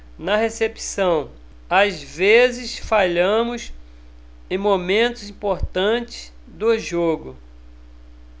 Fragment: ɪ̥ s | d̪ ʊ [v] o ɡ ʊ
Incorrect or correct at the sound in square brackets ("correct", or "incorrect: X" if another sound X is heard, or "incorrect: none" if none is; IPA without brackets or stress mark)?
incorrect: ʒ